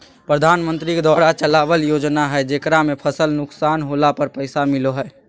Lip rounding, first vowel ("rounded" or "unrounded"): unrounded